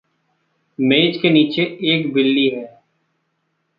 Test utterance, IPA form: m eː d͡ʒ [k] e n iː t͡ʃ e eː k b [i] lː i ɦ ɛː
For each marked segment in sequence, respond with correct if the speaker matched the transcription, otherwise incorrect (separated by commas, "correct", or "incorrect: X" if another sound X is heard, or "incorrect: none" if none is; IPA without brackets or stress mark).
correct, incorrect: ɪ